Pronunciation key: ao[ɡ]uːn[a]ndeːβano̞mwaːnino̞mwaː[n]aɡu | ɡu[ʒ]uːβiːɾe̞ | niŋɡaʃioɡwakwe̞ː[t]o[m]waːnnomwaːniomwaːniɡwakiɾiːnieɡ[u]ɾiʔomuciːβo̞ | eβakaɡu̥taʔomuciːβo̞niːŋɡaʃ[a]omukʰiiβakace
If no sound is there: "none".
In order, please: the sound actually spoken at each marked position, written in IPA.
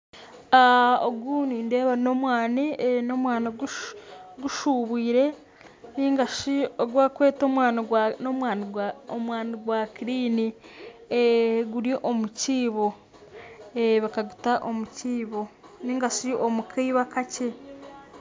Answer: ɡ, i, n, ʃ, t, m, u, i

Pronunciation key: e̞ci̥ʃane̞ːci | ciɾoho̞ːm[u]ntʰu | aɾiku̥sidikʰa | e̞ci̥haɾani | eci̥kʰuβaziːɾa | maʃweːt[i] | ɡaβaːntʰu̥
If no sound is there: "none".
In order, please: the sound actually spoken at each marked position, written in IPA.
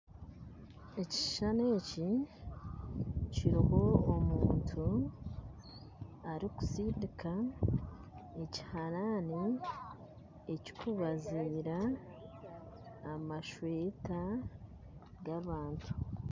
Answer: uː, a

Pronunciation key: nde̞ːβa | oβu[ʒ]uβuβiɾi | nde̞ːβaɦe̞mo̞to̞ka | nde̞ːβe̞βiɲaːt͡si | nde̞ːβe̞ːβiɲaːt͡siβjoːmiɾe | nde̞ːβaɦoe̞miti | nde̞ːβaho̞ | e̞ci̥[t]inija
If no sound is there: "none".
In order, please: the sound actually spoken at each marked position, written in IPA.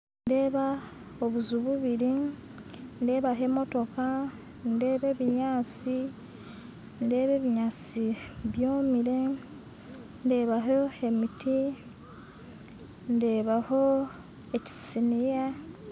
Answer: z, s

